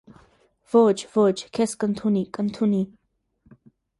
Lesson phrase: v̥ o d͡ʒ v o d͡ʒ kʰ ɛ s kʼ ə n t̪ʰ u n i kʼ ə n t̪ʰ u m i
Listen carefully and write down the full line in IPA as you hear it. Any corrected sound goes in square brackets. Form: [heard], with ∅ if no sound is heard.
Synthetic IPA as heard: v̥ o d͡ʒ v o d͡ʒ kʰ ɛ s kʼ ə n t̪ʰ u n i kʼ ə n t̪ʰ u [n] i